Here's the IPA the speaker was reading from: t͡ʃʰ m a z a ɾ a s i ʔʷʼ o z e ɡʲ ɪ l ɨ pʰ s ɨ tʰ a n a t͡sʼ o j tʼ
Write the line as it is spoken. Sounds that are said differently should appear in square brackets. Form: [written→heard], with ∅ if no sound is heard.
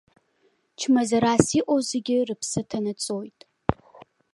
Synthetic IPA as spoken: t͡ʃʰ m a z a ɾ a s i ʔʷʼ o z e ɡʲ ɪ [l→r] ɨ pʰ s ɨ tʰ a n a t͡sʼ o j tʼ